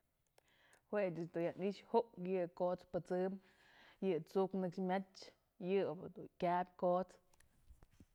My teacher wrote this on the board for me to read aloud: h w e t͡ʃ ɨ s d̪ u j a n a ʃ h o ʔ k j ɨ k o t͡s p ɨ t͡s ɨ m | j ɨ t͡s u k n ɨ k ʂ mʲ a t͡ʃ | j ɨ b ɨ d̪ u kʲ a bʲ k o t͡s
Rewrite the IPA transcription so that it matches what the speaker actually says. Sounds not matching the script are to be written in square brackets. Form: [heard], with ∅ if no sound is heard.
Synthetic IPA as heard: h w e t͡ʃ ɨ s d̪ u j a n [i] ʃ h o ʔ k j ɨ k o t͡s p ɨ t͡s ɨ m | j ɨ t͡s u k n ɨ k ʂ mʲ a t͡ʃ | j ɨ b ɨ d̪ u kʲ a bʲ k o t͡s